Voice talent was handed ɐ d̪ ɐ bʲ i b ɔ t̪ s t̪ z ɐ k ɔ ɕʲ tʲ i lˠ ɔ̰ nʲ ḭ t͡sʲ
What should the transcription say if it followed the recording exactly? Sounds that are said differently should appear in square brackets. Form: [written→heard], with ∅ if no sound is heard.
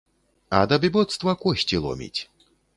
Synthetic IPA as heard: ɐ d̪ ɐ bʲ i b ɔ t̪ s t̪ [z→v] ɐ k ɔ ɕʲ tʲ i lˠ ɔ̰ [nʲ→mʲ] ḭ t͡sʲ